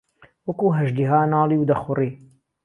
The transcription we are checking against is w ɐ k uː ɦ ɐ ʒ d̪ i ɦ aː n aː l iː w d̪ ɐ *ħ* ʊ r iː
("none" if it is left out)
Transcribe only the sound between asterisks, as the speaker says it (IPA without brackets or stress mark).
x